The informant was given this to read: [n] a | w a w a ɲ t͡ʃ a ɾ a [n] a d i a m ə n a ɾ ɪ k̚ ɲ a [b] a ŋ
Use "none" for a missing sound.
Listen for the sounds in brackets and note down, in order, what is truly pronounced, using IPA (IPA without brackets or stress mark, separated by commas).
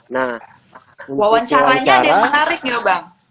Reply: n, ɲ, b